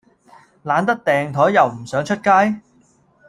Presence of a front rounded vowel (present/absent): present